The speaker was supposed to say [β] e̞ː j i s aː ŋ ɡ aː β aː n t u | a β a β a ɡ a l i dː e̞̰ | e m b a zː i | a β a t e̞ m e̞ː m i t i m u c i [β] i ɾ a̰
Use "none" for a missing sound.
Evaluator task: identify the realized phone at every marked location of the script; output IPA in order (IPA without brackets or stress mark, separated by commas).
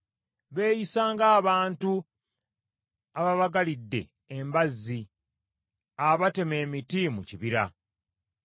β, β